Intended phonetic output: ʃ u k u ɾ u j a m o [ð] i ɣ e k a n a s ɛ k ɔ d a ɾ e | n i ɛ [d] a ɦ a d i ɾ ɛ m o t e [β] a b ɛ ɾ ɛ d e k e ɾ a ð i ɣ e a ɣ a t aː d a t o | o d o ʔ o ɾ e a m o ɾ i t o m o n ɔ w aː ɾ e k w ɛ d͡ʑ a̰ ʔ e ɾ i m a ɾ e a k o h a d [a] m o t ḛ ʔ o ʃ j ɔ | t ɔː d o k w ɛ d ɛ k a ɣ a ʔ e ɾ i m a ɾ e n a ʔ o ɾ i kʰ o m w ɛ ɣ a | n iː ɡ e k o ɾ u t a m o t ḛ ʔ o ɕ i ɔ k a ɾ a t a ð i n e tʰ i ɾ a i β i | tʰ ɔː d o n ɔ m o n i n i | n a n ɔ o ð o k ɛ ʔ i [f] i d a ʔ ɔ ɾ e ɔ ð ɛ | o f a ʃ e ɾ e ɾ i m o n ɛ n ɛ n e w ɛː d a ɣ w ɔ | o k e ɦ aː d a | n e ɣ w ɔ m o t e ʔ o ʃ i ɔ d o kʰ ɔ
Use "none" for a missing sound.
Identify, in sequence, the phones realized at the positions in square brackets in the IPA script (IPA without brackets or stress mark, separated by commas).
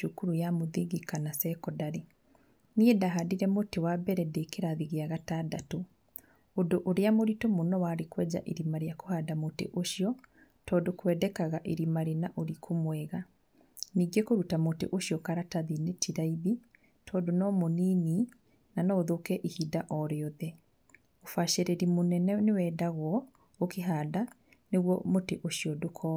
ð, d, w, a, h